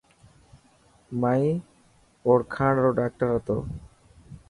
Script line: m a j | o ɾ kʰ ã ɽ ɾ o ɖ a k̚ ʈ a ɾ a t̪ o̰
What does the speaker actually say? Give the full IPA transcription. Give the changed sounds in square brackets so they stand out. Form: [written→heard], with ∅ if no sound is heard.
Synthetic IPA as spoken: m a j | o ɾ kʰ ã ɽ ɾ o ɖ a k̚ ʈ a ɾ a t̪ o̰